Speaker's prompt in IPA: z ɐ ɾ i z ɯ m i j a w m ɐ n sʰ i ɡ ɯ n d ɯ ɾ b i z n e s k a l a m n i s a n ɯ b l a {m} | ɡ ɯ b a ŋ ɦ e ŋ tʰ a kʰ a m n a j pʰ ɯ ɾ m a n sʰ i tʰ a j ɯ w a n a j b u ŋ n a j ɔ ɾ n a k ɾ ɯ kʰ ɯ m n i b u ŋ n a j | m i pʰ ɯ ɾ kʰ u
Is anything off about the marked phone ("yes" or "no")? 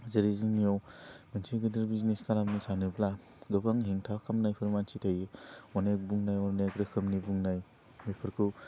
yes